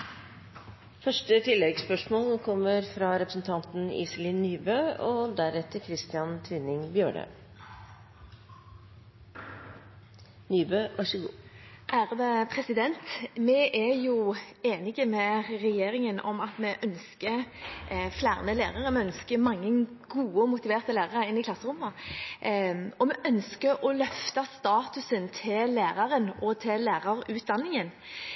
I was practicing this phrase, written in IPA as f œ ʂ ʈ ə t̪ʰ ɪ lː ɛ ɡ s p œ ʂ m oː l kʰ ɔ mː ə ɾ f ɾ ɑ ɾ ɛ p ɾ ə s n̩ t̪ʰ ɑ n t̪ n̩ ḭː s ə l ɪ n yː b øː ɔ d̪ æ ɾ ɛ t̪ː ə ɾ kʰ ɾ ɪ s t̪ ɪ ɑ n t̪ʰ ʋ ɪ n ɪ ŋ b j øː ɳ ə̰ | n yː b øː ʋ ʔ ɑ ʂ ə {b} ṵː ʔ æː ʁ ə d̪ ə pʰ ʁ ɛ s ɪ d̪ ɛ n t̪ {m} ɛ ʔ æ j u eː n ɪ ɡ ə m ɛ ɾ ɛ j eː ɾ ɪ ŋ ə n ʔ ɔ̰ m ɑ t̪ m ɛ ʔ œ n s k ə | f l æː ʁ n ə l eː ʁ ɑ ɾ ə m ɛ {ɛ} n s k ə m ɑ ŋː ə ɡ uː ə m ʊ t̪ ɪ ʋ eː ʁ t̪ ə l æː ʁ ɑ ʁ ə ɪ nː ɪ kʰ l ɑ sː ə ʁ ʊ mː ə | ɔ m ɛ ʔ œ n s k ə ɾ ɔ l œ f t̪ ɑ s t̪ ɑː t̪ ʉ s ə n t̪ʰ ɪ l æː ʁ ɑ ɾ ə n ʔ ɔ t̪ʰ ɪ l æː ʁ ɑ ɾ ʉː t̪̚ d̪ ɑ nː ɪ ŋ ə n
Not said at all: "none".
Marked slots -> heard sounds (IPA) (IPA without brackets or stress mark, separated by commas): ɡ, m, œ